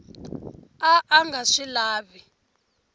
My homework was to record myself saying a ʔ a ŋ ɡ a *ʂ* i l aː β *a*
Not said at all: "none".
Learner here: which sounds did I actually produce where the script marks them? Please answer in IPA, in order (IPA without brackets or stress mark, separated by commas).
ʂ, i